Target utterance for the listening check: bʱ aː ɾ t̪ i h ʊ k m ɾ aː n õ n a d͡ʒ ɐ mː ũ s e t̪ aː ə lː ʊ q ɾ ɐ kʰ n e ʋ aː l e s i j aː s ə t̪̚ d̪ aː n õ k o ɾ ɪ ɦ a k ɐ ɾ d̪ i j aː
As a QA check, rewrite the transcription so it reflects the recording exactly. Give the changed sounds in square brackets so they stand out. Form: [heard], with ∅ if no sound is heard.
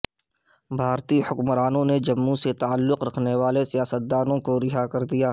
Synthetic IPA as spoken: bʱ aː ɾ t̪ i h ʊ k m ɾ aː n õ n [e] d͡ʒ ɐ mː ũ s e t̪ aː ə lː ʊ q ɾ ɐ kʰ n e ʋ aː l e s i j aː s ə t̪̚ d̪ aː n õ k o ɾ ɪ ɦ a k ɐ ɾ d̪ i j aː

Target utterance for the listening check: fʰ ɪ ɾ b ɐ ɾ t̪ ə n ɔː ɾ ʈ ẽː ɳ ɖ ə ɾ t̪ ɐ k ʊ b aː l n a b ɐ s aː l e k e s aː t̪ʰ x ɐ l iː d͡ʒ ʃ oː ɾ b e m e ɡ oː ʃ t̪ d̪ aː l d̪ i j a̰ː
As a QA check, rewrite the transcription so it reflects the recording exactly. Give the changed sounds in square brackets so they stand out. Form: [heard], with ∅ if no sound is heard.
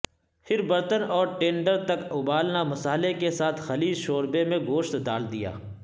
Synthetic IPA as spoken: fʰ ɪ ɾ b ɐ ɾ t̪ ə n ɔː ɾ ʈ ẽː ɳ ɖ ə ɾ t̪ ɐ k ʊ b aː l n a [m] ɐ s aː l e k e s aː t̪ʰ x ɐ l iː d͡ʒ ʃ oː ɾ b e m [ẽ] ɡ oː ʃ t̪ d̪ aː l d̪ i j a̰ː

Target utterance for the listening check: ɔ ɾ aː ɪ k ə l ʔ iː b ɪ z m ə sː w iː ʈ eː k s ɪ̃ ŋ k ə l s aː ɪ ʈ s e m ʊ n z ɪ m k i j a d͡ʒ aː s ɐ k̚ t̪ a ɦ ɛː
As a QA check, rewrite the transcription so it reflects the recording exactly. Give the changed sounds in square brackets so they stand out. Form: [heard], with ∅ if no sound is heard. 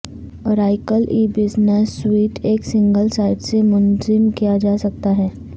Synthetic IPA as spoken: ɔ ɾ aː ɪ k ə l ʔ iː b ɪ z [n] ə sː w iː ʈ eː k s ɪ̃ ŋ [ɡ] ə l s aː ɪ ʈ s e m ʊ n z ɪ m k i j a d͡ʒ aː s ɐ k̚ t̪ a ɦ ɛː

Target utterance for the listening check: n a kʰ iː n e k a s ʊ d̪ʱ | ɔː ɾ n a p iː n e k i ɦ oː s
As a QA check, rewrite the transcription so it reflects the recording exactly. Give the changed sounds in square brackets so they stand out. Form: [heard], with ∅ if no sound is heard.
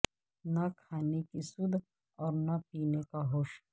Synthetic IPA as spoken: n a kʰ [aː] n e k [i] s ʊ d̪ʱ | ɔː ɾ n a p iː n e k [a] ɦ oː [ʃ]

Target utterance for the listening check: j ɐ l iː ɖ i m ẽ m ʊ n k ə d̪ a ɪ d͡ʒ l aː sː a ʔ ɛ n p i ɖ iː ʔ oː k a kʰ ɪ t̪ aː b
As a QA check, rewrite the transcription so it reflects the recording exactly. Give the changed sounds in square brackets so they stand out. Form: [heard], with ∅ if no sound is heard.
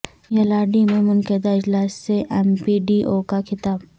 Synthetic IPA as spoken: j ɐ l [aː] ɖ i m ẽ m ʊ n k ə d̪ a ɪ d͡ʒ l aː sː [e] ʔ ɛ [m] p i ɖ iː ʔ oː k a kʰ ɪ t̪ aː b

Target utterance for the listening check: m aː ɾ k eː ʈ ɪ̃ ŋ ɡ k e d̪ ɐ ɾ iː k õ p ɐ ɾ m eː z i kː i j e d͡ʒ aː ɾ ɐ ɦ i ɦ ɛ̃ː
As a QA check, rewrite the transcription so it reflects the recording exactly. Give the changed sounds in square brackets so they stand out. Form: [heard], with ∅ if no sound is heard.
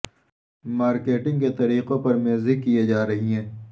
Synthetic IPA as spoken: m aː ɾ k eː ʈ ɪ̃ ŋ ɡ k e [t̪] ɐ ɾ iː [q] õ p ɐ ɾ m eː z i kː i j e d͡ʒ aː ɾ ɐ ɦ i ɦ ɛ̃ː

